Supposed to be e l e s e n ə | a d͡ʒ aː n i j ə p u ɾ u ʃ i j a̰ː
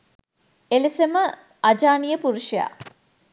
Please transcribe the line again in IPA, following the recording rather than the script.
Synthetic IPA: e l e s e m ə | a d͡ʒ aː n i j ə p u ɾ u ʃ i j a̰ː

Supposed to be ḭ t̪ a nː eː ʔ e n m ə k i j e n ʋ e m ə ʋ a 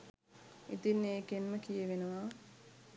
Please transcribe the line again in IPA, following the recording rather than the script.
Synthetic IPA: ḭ t̪ i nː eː k e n m ə k i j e ʋ e n ə ʋ a

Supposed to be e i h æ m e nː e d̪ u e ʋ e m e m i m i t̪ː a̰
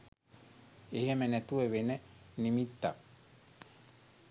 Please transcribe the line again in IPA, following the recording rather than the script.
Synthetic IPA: e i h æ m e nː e t̪ u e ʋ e n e n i m i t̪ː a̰

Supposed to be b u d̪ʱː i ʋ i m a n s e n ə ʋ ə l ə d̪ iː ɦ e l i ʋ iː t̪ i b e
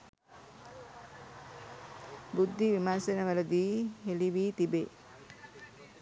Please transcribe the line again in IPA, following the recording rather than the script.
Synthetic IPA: b u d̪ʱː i ʋ i m a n s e n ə ʋ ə l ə d̪ iː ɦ e l i ʋ iː t̪ i b e

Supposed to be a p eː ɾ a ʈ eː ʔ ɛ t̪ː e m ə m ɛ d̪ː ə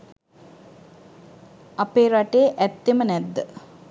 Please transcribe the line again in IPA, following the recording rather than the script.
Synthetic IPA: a p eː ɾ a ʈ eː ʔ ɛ t̪ː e m ə n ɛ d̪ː ə

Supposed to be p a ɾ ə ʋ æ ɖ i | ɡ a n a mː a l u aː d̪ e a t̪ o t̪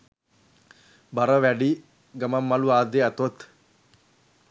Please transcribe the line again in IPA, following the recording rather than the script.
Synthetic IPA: b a ɾ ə ʋ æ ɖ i | ɡ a m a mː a l u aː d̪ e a t̪ o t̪

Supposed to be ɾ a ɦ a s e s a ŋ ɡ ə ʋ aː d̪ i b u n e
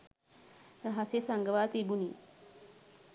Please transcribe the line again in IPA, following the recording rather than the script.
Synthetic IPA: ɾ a ɦ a s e s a ŋ ɡ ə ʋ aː t̪ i b u n i

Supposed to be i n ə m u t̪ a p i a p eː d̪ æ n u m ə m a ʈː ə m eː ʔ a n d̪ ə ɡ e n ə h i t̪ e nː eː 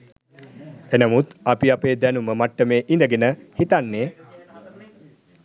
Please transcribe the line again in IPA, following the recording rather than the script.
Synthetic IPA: e n ə m u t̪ a p i a p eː d̪ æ n u m ə m a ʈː ə m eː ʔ i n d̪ ə ɡ e n ə h i t̪ a nː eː

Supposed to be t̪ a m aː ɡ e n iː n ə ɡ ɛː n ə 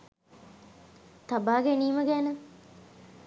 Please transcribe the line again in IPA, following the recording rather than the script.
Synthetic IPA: t̪ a b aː ɡ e n iː m ə ɡ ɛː n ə

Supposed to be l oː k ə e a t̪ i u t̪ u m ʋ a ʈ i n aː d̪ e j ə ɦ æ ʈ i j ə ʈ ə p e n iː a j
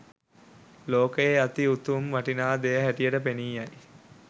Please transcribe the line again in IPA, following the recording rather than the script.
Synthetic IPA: l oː k ə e a t̪ i u t̪ u m ʋ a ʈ i n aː d̪ e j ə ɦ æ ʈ i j ə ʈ ə p e n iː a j

